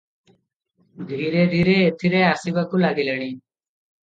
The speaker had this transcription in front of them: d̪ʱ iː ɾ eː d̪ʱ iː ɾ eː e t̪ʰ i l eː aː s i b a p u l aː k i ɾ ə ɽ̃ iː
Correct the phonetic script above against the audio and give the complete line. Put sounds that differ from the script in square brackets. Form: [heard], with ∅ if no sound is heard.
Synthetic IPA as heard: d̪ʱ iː ɾ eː d̪ʱ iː ɾ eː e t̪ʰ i [ɾ] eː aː s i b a [k] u l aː [ɡ] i [l] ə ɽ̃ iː